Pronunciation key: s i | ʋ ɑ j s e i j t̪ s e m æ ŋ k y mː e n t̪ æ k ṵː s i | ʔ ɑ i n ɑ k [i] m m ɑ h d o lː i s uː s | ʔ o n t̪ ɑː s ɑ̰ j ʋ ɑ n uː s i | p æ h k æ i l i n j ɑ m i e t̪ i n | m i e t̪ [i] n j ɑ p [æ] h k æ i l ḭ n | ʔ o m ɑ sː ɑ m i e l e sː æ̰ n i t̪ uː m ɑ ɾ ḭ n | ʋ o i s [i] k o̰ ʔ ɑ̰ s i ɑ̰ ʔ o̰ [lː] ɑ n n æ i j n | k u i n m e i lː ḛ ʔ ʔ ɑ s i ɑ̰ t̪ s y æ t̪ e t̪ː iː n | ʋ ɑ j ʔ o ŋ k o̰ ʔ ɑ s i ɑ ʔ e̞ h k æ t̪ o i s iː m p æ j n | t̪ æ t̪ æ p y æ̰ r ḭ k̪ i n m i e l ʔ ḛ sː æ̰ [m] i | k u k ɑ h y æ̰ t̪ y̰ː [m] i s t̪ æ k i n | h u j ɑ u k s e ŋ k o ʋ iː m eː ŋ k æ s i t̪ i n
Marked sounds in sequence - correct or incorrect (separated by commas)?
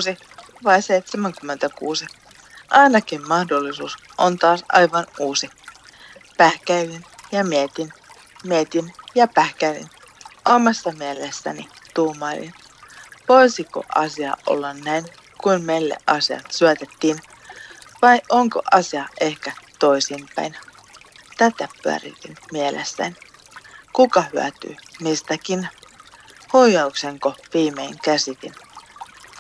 correct, correct, correct, correct, correct, incorrect, correct